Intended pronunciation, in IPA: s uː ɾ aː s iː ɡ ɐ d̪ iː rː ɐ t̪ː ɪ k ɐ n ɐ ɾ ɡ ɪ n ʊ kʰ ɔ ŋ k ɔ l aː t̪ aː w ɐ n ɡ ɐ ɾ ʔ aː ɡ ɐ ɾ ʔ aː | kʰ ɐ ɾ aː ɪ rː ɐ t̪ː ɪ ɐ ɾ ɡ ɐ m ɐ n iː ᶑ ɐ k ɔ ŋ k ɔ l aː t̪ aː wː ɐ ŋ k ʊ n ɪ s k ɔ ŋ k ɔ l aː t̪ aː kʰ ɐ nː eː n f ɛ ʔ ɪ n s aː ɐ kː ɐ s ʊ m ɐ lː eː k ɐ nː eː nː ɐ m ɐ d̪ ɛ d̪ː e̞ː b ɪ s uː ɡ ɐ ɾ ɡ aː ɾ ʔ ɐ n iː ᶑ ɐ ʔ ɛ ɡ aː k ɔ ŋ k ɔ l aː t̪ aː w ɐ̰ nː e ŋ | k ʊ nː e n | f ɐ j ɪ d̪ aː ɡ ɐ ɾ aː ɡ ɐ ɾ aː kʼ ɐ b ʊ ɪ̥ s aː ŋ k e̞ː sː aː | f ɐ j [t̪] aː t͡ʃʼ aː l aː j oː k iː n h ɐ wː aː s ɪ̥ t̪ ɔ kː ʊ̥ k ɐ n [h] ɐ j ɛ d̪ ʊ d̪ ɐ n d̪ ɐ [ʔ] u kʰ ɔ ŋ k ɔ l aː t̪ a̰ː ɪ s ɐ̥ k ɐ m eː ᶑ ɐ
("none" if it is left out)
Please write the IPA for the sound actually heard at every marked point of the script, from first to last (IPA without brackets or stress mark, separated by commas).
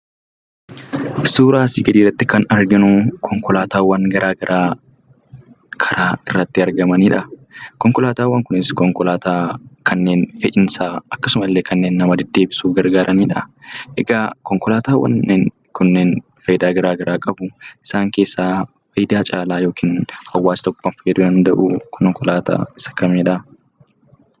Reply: d̪, f, ʔ